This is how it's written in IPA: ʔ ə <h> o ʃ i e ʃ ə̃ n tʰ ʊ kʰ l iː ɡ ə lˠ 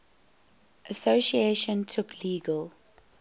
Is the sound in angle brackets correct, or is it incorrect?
incorrect